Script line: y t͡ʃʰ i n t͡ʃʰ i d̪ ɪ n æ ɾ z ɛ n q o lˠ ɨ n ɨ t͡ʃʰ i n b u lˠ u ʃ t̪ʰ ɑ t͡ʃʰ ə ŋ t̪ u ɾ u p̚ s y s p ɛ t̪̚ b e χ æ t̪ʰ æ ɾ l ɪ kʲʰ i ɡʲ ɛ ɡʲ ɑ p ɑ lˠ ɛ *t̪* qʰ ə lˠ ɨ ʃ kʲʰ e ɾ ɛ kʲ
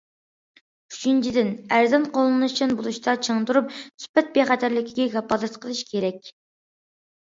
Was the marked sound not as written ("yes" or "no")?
no